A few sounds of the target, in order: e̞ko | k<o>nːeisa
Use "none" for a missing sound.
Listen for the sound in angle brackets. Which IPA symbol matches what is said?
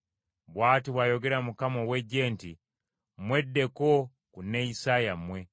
u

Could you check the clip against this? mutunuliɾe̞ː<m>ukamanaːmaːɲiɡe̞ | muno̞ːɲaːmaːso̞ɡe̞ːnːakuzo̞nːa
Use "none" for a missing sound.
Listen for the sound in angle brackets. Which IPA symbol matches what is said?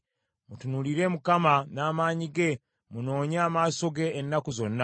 m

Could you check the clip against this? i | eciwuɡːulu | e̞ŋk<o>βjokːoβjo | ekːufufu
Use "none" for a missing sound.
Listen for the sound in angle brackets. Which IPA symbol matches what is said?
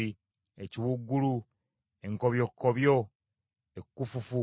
o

